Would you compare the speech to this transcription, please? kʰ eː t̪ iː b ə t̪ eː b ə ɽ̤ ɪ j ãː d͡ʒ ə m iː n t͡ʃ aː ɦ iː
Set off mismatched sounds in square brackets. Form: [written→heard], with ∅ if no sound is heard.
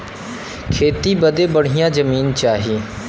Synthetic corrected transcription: kʰ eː t̪ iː b ə [t̪→d̪] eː b ə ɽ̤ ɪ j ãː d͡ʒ ə m iː n t͡ʃ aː ɦ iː